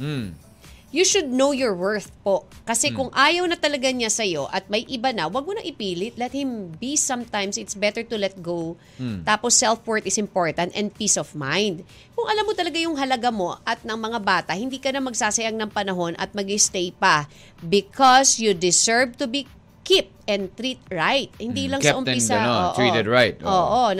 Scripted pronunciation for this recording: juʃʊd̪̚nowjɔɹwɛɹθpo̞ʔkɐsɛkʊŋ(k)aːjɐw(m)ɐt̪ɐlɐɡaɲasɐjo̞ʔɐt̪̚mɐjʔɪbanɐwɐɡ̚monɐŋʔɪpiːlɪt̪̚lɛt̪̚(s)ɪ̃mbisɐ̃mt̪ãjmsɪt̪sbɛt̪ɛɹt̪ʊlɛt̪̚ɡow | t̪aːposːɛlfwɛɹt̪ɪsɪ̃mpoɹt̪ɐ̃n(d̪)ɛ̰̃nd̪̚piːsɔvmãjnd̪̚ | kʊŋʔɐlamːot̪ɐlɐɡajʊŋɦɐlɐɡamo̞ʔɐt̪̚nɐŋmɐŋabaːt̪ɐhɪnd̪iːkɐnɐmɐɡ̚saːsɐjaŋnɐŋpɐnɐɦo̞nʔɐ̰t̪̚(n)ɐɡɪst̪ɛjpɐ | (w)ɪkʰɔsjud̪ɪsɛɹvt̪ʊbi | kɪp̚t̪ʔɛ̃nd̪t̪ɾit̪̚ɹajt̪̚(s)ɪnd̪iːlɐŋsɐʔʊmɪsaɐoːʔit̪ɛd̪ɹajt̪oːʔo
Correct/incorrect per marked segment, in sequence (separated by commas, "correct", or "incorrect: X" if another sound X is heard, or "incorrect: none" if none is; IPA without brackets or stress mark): incorrect: ʔ, incorrect: n, incorrect: h, incorrect: t̪, incorrect: m, incorrect: b, incorrect: h